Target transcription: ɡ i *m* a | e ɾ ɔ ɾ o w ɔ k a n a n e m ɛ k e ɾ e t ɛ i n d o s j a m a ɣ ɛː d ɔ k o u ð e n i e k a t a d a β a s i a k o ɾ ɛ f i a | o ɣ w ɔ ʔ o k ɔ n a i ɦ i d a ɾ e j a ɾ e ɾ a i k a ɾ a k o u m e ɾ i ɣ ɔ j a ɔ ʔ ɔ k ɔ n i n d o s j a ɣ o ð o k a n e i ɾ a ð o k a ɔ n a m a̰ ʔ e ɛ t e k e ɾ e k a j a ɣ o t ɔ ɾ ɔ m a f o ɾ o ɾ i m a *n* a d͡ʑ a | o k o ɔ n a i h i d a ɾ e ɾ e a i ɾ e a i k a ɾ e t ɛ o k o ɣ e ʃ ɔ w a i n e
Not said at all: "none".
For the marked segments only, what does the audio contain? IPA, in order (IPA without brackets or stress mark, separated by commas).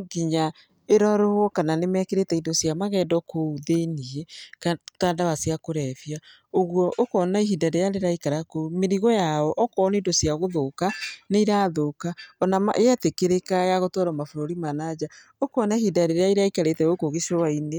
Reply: ɲ, n